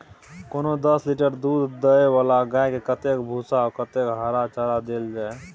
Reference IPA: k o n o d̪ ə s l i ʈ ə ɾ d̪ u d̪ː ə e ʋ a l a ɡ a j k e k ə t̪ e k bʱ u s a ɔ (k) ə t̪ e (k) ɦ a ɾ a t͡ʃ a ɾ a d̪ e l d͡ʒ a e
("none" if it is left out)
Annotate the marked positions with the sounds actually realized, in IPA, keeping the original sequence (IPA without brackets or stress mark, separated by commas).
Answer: k, k